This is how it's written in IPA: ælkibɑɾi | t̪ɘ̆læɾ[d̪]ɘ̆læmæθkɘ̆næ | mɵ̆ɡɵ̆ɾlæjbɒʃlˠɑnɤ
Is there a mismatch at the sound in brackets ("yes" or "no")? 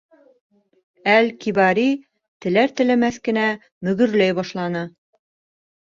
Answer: yes